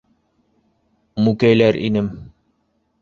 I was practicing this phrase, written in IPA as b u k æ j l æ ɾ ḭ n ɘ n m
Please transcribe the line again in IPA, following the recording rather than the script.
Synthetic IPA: m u k æ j l æ ɾ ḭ n ɘ m